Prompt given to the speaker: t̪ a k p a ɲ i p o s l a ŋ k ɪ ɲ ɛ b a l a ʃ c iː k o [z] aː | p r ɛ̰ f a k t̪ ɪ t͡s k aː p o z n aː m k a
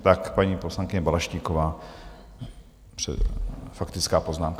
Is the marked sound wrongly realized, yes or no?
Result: yes